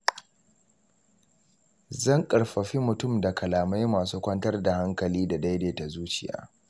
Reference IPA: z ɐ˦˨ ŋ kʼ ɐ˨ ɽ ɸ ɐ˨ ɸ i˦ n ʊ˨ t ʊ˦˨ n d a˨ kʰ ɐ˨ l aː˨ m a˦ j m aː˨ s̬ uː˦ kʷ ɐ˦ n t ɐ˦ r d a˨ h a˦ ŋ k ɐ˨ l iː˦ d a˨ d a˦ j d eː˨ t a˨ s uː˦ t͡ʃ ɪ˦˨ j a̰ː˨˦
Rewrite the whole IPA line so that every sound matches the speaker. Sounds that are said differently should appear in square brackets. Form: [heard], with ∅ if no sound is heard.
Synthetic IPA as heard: z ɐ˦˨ ŋ kʼ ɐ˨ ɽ ɸ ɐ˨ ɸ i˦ [m] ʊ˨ t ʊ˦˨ [m] d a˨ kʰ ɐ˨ l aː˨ m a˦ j m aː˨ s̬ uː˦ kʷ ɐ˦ n t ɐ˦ r d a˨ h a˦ ŋ k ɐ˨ l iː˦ d a˨ d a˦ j d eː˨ t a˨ [z] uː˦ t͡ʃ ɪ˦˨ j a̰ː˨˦